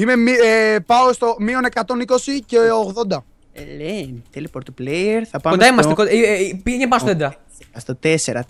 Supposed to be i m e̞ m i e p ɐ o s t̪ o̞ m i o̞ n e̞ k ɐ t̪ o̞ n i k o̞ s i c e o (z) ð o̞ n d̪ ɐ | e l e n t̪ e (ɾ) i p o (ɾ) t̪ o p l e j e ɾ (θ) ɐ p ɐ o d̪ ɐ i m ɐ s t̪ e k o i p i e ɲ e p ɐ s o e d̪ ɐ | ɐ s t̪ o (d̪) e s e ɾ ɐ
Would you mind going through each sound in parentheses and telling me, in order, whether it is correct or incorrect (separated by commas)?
incorrect, incorrect, correct, correct, incorrect